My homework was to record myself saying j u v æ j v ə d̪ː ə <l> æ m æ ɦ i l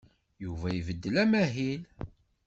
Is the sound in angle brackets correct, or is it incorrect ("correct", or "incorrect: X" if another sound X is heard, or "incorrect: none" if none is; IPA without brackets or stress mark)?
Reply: correct